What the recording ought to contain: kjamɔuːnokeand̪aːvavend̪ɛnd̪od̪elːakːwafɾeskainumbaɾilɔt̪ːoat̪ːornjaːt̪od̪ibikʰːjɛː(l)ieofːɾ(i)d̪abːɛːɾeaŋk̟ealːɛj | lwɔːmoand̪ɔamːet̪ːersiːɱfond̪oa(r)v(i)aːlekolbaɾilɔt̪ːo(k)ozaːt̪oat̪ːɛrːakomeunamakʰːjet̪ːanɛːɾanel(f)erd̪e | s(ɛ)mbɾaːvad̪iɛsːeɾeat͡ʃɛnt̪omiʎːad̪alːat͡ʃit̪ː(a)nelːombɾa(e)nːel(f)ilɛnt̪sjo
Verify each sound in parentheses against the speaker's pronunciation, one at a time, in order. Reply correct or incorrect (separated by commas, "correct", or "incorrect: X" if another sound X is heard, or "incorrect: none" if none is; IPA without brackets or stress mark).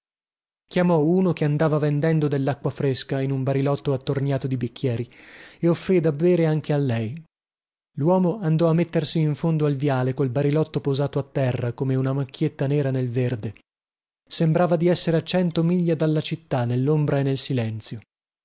incorrect: ɾ, correct, incorrect: l, incorrect: j, incorrect: p, incorrect: v, incorrect: e, correct, correct, incorrect: s